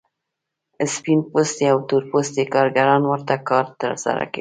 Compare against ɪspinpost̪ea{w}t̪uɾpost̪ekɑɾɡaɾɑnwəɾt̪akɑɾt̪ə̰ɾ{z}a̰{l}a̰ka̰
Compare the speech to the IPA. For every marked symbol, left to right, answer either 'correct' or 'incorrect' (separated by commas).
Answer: correct, incorrect, incorrect